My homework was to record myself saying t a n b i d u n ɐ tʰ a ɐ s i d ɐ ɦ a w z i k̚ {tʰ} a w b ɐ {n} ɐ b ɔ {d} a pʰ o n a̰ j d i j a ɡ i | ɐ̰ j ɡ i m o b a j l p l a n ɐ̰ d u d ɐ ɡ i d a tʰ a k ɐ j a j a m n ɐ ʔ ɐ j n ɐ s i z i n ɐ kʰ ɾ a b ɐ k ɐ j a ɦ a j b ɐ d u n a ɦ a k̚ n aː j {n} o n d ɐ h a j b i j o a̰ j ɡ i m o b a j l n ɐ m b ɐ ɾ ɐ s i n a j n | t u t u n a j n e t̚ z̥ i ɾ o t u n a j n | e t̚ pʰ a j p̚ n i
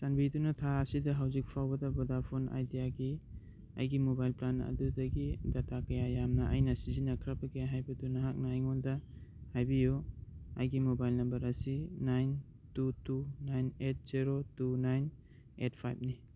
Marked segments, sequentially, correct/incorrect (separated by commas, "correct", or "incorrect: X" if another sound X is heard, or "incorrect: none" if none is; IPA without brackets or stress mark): incorrect: pʰ, incorrect: d, correct, incorrect: ŋ